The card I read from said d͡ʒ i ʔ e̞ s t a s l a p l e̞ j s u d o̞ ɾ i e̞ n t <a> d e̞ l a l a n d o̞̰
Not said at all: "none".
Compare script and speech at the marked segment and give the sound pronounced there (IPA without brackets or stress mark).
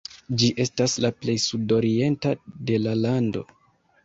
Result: a